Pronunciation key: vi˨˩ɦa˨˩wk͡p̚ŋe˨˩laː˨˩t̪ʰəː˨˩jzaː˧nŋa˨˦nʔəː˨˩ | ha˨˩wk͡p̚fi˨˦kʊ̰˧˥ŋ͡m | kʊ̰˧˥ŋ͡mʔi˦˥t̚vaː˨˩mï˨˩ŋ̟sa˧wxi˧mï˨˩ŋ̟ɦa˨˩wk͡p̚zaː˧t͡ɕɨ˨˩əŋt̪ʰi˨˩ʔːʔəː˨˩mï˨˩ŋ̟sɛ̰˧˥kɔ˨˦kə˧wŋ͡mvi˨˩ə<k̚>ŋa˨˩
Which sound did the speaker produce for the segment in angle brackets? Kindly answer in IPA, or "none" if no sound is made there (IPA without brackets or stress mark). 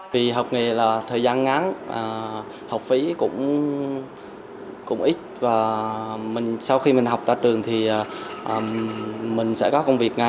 k̚